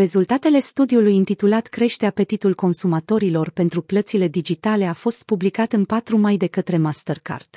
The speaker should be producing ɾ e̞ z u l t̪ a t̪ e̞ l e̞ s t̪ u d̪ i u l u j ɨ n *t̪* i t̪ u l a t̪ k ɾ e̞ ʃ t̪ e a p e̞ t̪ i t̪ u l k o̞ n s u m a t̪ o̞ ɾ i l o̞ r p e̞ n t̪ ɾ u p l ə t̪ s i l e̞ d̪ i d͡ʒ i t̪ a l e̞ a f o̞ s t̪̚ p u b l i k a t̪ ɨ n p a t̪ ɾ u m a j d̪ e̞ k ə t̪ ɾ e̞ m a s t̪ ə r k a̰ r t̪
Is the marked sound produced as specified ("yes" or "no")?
yes